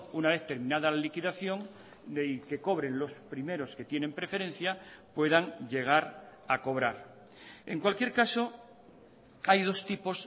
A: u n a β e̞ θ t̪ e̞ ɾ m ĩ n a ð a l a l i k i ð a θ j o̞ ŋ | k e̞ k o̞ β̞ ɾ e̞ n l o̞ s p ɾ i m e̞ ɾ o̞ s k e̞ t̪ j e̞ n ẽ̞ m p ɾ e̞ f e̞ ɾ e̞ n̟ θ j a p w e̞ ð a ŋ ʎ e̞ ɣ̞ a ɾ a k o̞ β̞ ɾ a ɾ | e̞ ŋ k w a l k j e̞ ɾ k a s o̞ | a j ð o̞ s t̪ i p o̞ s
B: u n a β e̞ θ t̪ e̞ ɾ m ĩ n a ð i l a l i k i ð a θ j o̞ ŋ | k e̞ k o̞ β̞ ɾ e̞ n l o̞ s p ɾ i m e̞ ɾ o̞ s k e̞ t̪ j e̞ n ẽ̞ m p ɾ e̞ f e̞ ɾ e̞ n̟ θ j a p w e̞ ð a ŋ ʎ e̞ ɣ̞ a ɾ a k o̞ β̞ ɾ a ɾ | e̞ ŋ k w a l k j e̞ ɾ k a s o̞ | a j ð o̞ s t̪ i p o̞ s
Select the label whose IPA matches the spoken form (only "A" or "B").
A